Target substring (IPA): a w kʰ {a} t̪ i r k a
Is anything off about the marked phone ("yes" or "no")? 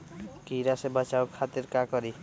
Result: no